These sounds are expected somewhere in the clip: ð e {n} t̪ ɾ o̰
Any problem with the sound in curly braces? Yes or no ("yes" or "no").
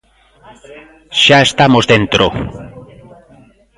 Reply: no